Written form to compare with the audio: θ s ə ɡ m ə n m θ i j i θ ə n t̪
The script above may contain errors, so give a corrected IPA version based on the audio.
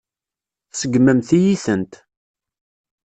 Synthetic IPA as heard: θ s ə ɡ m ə m θ i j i θ ə n t̪